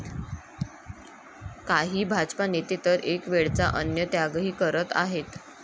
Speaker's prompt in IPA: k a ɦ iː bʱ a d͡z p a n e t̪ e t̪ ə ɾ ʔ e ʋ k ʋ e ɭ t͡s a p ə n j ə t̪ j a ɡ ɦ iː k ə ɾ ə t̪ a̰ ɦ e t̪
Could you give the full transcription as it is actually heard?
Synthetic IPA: k a ɦ iː bʱ a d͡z p a n e t̪ e t̪ ə ɾ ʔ e k ʋ e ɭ t͡s a ʔ ə n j ə t̪ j a ɡ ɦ iː k ə ɾ ə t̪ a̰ ɦ e t̪